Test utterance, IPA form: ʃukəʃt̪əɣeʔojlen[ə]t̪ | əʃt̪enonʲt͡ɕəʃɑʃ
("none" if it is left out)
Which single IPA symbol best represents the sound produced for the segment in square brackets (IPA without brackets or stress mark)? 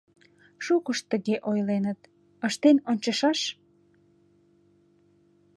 ə